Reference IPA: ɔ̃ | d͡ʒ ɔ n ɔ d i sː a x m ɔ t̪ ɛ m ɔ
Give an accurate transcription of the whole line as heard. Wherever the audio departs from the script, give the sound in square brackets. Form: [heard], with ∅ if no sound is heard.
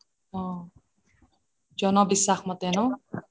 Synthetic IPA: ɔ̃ | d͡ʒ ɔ n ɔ [b] i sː a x m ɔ t̪ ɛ [n] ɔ